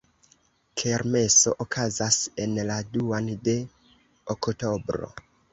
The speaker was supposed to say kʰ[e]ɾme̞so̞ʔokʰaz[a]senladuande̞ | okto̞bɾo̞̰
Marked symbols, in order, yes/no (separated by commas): yes, yes